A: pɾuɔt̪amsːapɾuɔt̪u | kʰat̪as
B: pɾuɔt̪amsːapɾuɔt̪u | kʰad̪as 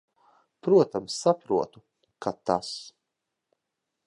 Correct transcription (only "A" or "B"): A